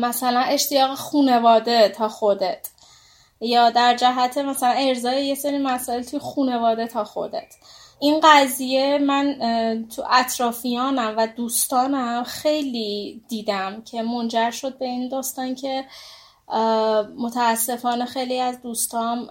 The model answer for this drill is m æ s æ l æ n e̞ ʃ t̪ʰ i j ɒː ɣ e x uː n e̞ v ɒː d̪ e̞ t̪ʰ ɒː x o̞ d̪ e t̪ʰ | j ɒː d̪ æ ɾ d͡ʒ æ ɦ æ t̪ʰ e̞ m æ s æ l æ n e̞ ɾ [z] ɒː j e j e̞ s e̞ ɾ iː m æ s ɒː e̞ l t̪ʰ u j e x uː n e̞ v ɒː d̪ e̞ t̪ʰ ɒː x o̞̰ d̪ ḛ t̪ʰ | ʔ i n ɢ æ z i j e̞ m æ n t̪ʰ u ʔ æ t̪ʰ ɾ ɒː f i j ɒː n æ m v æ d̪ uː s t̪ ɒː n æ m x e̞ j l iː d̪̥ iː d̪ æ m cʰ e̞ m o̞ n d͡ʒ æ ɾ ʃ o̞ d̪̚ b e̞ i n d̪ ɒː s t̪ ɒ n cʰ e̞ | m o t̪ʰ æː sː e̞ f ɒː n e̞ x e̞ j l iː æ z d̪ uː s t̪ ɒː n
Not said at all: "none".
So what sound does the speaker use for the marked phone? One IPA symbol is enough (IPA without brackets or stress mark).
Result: z